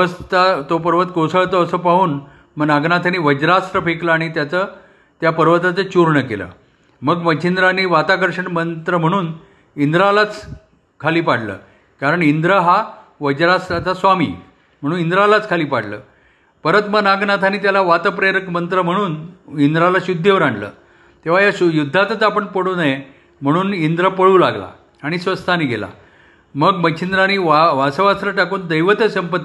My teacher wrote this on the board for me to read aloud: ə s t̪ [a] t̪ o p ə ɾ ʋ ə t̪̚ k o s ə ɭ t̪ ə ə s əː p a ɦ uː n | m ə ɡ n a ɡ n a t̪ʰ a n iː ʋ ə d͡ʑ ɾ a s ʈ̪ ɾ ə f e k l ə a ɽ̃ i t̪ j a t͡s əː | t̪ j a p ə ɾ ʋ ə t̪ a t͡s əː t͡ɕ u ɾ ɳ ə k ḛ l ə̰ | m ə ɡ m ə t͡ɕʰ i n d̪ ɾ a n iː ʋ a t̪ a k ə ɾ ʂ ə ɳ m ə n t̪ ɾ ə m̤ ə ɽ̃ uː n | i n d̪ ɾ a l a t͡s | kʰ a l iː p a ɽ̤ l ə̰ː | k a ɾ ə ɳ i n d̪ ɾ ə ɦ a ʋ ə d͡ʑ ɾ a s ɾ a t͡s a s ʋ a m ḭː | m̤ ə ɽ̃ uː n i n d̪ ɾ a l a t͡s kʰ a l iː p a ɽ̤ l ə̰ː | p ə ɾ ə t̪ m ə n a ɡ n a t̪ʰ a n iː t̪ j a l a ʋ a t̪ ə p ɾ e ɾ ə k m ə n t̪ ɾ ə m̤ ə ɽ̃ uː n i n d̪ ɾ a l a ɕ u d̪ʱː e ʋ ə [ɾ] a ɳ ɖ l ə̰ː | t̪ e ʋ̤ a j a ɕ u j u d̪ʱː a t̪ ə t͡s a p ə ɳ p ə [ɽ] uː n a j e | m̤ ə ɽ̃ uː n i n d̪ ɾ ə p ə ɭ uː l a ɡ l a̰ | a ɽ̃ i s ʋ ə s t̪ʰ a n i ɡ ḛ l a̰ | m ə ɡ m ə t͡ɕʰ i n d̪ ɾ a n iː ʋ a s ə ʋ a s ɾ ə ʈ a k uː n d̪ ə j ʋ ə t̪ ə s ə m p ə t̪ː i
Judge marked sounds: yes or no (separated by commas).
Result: yes, yes, yes